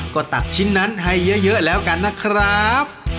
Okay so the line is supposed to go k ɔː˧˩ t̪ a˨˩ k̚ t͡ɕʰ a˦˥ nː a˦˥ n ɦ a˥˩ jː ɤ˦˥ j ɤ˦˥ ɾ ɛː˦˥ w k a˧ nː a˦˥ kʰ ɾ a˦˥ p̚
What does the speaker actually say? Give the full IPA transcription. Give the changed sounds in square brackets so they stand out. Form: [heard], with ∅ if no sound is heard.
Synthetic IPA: k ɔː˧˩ t̪ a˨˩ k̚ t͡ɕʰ [i˦˥] nː a˦˥ n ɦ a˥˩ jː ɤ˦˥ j ɤ˦˥ [l] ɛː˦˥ w k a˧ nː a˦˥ kʰ ɾ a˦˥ p̚